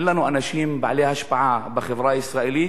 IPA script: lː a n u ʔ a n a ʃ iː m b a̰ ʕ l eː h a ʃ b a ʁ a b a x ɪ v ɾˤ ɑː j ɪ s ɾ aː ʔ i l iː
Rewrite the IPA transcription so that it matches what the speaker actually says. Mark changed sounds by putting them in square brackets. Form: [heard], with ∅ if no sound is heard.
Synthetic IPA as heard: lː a n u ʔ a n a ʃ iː m b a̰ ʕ l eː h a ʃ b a [ʕ] a b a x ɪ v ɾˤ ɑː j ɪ s ɾ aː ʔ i l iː